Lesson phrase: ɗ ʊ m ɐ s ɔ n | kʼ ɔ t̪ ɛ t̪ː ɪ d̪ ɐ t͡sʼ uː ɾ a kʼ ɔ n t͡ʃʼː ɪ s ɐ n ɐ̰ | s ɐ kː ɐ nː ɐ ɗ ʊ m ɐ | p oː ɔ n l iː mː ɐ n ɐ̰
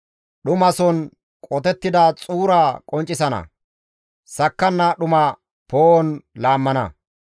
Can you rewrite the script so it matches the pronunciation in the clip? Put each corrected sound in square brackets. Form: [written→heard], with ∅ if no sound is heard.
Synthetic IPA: ɗ ʊ m ɐ s ɔ n | kʼ ɔ t̪ ɛ t̪ː ɪ d̪ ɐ t͡sʼ uː ɾ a kʼ ɔ n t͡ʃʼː ɪ s ɐ n ɐ̰ | s ɐ kː ɐ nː ɐ ɗ ʊ m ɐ | p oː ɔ n l [iː→aː] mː ɐ n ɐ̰